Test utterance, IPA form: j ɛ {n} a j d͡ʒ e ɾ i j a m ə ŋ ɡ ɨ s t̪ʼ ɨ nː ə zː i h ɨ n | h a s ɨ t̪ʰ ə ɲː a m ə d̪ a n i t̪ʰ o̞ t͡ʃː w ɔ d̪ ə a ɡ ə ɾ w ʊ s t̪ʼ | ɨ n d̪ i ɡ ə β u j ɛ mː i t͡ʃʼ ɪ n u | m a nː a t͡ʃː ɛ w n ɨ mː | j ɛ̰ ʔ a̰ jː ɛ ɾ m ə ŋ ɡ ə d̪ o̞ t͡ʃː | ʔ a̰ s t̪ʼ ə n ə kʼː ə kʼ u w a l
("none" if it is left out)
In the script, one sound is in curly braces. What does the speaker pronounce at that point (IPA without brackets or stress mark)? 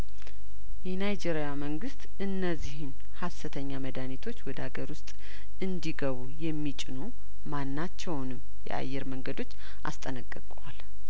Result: n